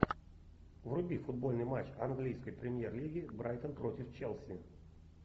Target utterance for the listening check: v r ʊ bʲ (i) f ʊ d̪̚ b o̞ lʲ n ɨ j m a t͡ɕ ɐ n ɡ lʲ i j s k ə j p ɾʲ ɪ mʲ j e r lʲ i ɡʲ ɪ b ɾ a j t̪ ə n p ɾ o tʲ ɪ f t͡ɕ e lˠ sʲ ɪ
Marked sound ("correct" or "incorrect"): correct